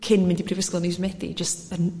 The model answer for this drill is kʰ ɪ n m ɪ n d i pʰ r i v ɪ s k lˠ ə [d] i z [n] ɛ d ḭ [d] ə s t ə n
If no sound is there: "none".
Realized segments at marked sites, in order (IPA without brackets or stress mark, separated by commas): n, m, d͡ʒ